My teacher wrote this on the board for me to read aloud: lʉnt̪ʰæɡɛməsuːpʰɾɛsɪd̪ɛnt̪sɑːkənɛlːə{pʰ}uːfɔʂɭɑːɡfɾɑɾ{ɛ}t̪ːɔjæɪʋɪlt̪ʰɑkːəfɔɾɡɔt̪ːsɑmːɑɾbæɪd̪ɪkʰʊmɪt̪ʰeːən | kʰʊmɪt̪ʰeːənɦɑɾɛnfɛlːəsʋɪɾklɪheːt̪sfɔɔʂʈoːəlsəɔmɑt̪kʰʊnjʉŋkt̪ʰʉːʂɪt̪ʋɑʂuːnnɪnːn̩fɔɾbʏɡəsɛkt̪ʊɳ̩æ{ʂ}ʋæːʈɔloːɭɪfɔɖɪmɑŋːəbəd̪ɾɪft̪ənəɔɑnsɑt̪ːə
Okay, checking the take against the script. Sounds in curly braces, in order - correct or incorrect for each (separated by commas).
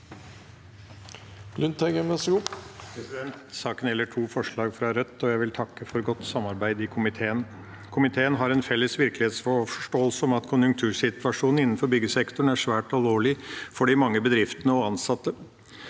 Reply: incorrect, incorrect, correct